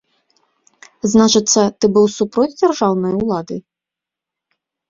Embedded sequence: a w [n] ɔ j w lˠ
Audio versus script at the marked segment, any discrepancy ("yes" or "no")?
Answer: no